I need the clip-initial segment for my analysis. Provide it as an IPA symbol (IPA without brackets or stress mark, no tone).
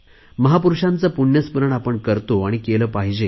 m